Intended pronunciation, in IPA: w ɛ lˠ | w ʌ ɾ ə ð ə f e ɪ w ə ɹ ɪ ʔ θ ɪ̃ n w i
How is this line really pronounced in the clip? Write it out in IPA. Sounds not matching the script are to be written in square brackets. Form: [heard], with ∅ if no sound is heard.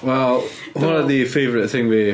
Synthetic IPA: w ɛ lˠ | w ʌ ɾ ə ð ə f e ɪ [v] ə ɹ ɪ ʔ θ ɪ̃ [ŋ] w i